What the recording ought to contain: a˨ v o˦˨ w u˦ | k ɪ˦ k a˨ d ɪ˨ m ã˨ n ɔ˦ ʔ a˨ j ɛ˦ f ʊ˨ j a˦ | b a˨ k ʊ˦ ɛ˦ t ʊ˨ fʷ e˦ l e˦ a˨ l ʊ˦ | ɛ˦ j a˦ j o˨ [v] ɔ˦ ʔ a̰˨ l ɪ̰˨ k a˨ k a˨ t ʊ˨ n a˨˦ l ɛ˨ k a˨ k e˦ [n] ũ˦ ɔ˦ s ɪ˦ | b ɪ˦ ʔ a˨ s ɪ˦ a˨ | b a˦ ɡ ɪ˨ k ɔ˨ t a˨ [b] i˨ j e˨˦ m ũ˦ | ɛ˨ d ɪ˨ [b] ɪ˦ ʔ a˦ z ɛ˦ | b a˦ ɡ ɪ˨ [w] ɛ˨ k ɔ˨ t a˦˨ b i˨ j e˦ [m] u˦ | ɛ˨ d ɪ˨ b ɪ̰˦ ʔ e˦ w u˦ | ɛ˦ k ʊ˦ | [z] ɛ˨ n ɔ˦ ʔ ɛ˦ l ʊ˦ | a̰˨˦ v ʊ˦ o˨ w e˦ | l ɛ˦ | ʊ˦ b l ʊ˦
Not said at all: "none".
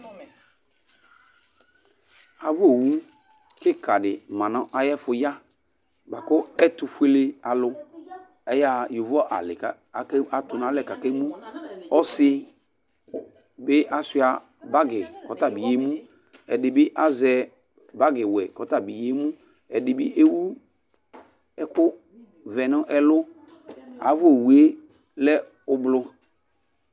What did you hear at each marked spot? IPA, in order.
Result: v, m, b, b, w, m, v

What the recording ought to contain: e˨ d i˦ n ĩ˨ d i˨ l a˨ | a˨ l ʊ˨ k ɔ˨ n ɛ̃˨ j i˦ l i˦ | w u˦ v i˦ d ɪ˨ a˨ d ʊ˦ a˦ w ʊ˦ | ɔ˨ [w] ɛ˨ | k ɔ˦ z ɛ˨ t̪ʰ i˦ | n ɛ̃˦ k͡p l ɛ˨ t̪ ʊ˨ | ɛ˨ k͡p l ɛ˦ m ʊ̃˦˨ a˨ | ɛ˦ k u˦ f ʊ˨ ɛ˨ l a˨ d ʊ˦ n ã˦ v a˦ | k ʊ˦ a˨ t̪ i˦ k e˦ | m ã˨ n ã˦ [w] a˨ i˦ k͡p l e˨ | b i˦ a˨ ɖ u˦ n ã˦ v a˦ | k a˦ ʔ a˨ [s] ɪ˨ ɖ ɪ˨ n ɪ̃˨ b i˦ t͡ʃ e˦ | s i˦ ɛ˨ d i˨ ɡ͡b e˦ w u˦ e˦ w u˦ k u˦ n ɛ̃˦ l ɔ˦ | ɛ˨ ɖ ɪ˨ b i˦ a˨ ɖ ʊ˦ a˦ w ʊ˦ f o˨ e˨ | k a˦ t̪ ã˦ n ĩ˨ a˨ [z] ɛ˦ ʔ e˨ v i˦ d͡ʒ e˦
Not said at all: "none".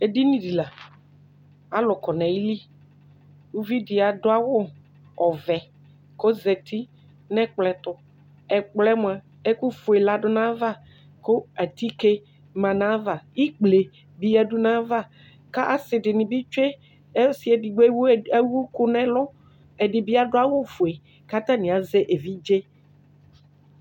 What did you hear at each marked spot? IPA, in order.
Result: v, v, s, z

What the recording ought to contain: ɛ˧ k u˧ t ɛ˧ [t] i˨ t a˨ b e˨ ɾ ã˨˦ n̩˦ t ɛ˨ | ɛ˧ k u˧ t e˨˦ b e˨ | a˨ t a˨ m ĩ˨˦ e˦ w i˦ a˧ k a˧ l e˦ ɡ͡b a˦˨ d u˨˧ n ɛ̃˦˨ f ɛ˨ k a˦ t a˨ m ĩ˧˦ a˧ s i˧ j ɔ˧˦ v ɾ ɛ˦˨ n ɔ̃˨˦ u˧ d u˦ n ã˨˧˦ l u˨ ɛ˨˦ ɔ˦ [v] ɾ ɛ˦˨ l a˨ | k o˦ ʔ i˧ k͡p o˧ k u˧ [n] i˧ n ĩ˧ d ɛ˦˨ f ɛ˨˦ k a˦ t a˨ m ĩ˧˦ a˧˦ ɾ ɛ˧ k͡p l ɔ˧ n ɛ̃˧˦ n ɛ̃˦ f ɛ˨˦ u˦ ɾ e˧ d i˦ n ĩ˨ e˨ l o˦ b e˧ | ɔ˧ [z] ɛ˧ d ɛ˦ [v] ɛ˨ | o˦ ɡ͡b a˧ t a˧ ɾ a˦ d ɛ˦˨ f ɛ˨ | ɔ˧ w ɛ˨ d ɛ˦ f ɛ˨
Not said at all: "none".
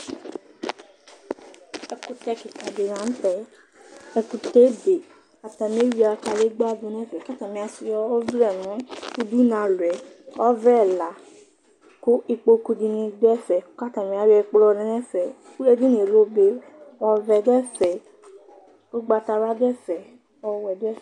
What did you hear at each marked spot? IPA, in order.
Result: k, v, d, v, f

